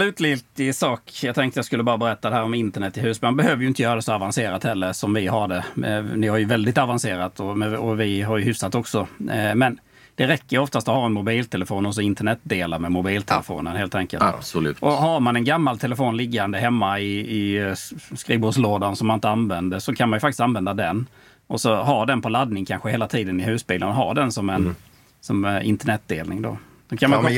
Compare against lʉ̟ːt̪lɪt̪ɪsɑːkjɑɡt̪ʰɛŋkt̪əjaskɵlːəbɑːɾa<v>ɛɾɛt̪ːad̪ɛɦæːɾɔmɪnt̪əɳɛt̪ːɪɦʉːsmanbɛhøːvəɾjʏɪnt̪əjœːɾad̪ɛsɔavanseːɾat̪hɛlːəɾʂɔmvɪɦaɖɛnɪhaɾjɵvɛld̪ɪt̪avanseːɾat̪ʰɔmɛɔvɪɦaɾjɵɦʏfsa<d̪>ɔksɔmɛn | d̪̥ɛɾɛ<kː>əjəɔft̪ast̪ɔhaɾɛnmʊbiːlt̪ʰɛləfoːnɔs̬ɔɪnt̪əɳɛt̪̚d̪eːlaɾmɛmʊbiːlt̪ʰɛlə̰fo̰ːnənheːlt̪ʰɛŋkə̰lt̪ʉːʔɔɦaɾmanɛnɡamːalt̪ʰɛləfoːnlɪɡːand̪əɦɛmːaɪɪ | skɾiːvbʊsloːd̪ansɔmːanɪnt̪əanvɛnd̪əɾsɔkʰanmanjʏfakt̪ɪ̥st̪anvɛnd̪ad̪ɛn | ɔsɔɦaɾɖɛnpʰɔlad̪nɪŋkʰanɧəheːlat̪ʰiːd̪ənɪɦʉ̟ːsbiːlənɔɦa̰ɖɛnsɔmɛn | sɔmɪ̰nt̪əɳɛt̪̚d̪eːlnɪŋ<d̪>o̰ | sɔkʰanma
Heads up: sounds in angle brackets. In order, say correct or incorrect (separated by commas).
incorrect, incorrect, correct, correct